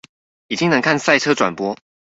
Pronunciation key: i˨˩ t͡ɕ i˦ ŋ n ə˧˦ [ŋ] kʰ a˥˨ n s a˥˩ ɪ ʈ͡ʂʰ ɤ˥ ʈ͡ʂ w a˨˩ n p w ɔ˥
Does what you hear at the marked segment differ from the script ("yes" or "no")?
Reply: no